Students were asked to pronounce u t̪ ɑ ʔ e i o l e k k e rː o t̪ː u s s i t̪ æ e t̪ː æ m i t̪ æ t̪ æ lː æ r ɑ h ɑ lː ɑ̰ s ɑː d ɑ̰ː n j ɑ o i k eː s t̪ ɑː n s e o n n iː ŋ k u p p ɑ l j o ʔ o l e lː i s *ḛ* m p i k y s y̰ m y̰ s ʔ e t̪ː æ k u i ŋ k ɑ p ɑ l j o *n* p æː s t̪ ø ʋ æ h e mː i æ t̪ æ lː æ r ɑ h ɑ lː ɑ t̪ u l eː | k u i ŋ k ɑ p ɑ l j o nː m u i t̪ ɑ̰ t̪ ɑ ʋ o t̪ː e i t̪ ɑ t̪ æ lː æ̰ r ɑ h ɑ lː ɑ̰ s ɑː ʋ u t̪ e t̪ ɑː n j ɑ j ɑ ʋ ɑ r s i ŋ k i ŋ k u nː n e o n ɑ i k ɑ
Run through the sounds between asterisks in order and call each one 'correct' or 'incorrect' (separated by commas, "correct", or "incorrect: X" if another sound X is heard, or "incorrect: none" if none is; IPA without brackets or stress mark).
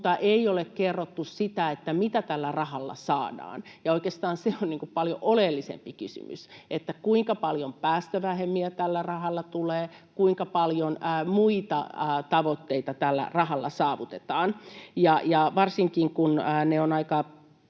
correct, incorrect: m